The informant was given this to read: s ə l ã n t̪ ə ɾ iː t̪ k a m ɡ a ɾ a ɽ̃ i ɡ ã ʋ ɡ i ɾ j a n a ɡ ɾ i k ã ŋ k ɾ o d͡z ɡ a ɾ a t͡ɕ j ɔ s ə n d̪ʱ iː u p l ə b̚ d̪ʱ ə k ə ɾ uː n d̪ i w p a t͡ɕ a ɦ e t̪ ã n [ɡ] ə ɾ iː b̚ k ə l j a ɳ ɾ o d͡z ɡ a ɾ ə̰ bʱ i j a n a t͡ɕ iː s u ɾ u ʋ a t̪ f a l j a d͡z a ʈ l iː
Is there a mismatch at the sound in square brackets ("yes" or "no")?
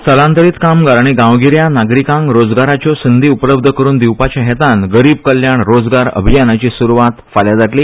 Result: no